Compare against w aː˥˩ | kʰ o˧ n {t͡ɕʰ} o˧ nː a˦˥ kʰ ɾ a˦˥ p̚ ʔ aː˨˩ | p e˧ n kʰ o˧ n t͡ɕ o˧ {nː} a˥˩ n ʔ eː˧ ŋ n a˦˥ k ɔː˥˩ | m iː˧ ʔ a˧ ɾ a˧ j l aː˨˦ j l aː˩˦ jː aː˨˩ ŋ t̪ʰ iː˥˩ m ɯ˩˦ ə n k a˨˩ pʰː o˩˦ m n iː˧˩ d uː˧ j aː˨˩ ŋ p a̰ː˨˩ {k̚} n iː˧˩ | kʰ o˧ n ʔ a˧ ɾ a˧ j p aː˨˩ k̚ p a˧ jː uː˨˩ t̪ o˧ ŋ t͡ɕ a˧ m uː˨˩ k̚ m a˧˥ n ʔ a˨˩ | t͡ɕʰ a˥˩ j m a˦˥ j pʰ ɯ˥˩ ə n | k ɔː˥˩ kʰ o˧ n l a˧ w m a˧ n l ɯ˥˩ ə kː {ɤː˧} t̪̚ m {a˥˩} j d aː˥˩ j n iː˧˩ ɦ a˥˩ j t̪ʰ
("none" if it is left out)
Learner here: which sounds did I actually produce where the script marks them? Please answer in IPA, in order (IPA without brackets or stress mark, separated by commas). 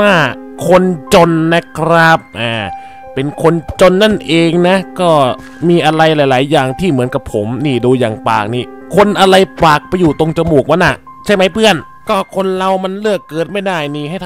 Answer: t͡ɕ, nː, k̚, ɤː˨˩, a˥˩